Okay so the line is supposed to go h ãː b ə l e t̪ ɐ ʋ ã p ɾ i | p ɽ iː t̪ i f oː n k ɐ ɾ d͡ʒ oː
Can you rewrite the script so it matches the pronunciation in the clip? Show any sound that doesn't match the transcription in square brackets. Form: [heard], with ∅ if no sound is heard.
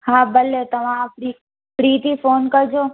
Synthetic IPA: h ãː b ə l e t̪ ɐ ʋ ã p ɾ i | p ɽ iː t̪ i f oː n k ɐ ɾ d͡ʒ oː

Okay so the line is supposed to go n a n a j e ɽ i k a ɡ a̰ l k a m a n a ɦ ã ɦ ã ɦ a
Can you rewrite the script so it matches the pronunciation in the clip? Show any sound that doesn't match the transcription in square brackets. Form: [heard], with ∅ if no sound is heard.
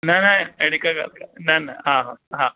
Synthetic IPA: n a n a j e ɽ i k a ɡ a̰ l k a [n] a n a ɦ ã ɦ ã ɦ a

